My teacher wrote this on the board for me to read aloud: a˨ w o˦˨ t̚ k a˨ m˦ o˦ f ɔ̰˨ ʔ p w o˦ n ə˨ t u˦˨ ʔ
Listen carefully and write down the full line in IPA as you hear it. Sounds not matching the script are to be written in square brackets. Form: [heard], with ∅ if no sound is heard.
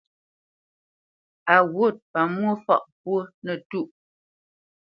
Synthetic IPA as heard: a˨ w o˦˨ t̚ [p] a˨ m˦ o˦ f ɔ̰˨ ʔ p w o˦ n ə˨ t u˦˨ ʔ

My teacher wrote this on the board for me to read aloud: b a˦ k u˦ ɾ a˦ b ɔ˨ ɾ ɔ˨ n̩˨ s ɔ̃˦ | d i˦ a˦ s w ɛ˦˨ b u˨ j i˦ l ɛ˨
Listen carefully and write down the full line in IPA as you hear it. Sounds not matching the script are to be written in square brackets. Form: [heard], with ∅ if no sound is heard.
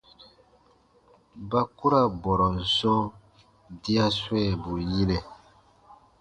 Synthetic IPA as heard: b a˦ k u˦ ɾ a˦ b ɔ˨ ɾ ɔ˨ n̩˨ s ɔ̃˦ | d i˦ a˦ s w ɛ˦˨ b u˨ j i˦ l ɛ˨

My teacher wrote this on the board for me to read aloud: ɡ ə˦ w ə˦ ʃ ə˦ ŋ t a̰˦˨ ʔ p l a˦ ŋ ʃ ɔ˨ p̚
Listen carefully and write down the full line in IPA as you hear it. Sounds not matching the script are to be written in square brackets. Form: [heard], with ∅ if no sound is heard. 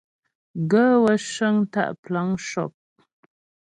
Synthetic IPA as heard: ɡ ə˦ w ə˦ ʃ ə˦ ŋ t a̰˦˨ ʔ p l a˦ ŋ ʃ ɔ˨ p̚

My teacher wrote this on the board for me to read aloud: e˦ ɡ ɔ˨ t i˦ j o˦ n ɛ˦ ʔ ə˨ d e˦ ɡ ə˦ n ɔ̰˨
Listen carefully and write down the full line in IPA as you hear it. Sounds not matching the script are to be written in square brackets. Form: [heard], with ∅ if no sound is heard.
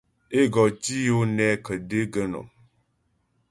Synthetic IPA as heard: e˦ ɡ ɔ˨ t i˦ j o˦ n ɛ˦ [k] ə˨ d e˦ ɡ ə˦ n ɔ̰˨

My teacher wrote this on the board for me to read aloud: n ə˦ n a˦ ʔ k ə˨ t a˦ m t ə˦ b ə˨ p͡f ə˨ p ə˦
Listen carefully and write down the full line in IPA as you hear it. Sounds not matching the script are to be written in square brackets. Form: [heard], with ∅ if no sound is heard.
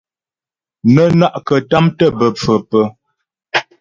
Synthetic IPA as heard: n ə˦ n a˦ ʔ k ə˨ t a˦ m t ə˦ b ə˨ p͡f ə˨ p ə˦

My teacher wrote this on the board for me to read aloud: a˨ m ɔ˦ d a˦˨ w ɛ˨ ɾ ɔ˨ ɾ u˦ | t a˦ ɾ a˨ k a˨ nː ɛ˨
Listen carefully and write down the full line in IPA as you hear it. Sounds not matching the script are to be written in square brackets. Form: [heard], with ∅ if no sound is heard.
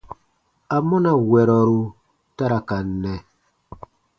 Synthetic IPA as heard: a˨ m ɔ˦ [n] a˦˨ w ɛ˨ ɾ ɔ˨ ɾ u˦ | t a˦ ɾ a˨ k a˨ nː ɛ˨

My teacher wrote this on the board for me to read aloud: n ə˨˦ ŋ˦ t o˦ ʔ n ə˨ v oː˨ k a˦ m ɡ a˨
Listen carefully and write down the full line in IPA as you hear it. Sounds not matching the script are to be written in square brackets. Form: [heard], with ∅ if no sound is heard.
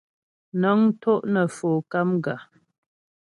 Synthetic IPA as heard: n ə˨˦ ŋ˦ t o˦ ʔ n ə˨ [f] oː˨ k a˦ m ɡ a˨

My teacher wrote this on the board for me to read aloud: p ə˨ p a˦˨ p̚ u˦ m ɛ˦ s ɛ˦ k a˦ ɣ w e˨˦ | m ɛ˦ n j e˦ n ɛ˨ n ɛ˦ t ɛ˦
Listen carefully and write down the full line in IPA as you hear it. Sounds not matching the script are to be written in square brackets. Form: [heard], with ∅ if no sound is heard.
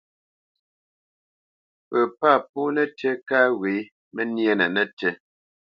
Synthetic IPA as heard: p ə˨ p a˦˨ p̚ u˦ [n] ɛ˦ [t] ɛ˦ k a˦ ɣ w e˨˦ | m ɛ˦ n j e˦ n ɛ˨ n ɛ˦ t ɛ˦

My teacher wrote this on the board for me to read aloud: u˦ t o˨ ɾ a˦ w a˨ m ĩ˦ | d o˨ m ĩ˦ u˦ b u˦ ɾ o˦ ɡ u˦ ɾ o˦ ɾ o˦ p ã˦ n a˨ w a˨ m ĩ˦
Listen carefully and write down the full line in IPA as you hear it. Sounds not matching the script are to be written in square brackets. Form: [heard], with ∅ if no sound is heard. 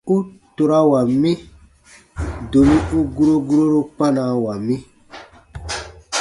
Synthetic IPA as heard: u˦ t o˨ ɾ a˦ w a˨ m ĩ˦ | d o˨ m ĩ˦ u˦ [ɡ] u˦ ɾ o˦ ɡ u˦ ɾ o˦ ɾ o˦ p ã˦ n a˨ w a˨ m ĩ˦

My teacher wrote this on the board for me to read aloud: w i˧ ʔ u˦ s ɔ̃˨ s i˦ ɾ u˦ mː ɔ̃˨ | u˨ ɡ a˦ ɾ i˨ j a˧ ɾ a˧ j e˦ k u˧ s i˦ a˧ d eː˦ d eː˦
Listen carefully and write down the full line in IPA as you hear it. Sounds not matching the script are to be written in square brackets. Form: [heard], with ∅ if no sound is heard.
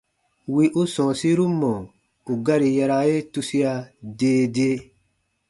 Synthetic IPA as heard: w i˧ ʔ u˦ s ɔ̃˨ s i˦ ɾ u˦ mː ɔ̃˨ | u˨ ɡ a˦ ɾ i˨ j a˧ ɾ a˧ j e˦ [t] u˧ s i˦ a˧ d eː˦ d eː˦

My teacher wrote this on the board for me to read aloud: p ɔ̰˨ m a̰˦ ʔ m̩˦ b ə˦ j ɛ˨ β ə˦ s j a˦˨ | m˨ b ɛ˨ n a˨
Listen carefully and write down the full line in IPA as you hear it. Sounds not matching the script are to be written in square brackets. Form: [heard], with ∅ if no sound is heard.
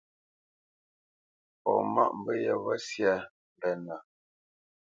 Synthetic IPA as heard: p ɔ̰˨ m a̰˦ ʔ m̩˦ b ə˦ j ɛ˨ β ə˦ s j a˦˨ | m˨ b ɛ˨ n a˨

